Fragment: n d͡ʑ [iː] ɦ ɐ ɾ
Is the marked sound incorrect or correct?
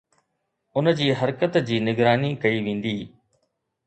correct